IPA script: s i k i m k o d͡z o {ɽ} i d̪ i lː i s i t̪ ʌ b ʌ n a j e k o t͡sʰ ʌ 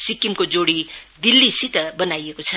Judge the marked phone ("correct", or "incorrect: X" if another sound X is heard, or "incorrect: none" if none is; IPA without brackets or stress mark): correct